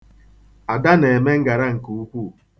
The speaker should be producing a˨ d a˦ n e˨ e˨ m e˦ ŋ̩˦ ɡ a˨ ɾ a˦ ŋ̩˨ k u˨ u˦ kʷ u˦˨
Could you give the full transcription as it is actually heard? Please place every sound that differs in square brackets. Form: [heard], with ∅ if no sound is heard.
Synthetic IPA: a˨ d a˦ n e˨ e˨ m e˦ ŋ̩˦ ɡ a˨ ɾ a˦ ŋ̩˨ k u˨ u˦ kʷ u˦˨